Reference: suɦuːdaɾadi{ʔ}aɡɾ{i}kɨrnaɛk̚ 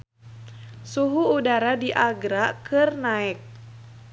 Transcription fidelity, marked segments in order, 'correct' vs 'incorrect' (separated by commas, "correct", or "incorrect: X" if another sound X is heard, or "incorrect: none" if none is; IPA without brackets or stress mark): correct, incorrect: a